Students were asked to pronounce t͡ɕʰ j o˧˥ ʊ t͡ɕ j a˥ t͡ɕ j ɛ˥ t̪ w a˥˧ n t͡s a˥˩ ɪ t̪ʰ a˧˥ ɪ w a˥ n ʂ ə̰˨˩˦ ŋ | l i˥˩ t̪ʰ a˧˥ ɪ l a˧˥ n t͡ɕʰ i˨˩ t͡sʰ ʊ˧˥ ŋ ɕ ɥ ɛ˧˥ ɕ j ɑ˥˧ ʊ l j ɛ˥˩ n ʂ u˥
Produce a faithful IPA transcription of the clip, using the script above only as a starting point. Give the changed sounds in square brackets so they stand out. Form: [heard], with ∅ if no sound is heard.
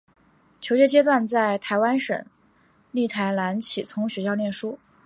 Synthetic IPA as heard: t͡ɕʰ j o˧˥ ʊ t͡ɕ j [ɛ˥] t͡ɕ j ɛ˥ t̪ w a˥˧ n t͡s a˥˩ ɪ t̪ʰ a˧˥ ɪ w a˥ n ʂ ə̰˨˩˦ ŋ | l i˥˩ t̪ʰ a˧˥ ɪ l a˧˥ n t͡ɕʰ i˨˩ t͡sʰ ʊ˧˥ ŋ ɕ ɥ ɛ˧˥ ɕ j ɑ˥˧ ʊ l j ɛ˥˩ n ʂ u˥